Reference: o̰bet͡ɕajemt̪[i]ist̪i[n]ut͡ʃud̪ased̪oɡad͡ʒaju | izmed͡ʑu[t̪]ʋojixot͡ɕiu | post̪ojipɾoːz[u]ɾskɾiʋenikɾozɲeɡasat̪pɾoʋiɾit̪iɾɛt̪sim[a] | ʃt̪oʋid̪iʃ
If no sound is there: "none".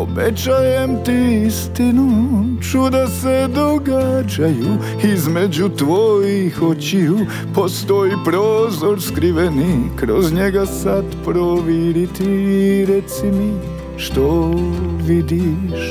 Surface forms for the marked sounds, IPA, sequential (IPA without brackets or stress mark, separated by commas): i, n, t̪, o, i